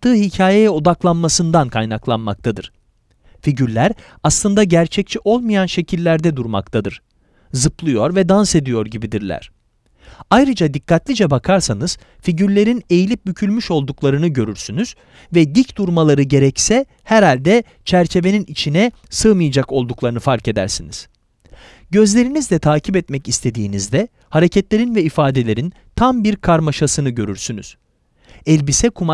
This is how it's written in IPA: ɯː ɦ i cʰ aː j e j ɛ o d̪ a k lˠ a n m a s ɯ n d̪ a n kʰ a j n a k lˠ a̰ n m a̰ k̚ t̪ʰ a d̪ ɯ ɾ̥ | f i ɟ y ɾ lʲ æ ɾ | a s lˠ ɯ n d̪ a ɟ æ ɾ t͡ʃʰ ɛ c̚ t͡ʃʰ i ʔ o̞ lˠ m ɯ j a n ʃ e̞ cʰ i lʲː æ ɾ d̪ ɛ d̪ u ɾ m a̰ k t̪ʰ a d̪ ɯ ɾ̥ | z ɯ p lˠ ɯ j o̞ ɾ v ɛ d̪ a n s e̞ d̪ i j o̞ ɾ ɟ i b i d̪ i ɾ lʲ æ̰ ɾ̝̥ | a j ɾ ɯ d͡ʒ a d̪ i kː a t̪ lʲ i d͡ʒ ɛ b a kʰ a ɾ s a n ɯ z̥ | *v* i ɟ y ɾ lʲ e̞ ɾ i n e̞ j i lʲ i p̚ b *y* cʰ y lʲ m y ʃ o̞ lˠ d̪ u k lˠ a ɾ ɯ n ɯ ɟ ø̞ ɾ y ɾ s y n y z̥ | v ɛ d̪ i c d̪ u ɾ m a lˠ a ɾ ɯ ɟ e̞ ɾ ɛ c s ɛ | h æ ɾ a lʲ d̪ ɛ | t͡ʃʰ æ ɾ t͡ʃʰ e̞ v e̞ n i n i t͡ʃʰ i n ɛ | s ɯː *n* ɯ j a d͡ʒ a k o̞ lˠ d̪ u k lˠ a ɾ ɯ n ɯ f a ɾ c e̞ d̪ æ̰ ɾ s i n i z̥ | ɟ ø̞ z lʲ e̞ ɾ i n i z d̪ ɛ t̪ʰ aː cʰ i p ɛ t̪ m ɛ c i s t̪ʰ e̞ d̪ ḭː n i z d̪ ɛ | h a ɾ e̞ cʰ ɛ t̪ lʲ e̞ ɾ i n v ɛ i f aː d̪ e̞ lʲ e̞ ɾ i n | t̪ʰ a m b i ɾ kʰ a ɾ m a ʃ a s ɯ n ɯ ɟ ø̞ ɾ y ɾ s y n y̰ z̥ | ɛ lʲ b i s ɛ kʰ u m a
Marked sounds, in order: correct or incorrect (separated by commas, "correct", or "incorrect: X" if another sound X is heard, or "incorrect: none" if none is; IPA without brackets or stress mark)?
incorrect: f, correct, incorrect: m